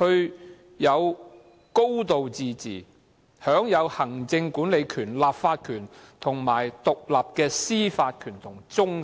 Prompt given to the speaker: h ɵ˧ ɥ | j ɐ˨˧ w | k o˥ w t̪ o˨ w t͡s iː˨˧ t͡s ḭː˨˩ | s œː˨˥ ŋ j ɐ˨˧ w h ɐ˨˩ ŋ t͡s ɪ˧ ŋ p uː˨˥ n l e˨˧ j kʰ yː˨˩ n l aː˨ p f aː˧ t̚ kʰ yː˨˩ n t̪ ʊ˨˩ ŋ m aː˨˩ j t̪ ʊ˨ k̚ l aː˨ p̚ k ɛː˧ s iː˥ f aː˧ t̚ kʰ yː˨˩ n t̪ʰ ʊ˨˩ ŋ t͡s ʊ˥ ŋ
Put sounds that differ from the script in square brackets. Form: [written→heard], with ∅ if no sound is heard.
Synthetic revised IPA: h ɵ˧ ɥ | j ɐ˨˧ w | k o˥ w t̪ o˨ w t͡s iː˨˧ t͡s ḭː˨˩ | [s→h] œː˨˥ ŋ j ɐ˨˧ w h ɐ˨˩ ŋ t͡s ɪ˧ ŋ [p→k] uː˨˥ n l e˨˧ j kʰ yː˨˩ n l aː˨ p f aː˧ t̚ kʰ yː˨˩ n [t̪→t̪ʰ] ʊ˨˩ ŋ m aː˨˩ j t̪ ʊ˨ k̚ l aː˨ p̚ k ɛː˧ s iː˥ f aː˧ t̚ kʰ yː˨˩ n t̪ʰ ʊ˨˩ ŋ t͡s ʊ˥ ŋ